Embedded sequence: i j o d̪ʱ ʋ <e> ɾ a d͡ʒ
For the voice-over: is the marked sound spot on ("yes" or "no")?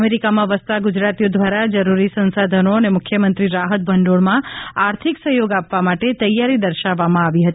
no